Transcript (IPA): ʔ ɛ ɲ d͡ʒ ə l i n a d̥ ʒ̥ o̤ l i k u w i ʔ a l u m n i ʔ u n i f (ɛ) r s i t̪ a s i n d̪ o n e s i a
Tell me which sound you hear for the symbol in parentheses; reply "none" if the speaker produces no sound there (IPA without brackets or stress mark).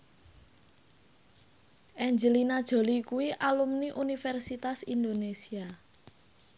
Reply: ɛ